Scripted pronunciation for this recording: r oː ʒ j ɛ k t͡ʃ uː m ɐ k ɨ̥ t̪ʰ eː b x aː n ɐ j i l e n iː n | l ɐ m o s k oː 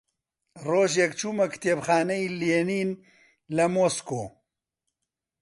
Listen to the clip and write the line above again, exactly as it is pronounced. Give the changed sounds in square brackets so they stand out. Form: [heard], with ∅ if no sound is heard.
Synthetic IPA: r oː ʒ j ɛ k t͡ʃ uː m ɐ k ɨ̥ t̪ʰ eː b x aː n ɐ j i l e n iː n | l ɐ m o s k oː